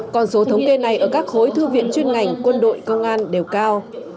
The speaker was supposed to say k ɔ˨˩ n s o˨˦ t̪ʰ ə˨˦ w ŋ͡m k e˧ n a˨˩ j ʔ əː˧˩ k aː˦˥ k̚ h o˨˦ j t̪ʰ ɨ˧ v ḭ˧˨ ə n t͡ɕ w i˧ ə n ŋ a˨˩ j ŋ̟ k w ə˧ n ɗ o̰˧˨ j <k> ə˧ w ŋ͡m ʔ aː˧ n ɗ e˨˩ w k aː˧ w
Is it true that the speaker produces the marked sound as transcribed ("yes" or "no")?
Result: yes